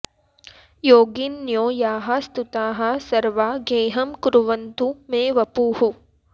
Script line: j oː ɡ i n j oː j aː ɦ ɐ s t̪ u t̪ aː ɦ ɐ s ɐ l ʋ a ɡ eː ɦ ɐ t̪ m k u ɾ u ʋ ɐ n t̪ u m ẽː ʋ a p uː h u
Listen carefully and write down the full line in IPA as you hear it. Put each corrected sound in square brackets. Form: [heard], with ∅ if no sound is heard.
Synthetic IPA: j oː ɡ i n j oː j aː ɦ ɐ s t̪ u t̪ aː ɦ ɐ s ɐ [ɾ] ʋ a ɡ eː ɦ ɐ [∅] m k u ɾ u ʋ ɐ n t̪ u m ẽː ʋ [ɐ] p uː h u